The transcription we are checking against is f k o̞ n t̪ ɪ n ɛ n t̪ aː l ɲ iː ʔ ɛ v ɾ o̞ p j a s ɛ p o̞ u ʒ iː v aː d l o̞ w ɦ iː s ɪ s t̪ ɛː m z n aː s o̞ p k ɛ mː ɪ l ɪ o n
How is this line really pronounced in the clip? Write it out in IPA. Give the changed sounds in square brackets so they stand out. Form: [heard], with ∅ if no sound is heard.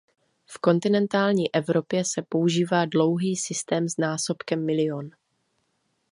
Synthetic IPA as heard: f k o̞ n t̪ ɪ n ɛ n t̪ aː l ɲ iː ʔ ɛ v ɾ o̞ p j [ɛ] s ɛ p o̞ u ʒ iː v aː d l o̞ w ɦ iː s ɪ s t̪ ɛː m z n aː s o̞ p k ɛ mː ɪ l ɪ o n